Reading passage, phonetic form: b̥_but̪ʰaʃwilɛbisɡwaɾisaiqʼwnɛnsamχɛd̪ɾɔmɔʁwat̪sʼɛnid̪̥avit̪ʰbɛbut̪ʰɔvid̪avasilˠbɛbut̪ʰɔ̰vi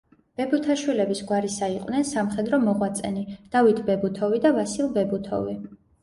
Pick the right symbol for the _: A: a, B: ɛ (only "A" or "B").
B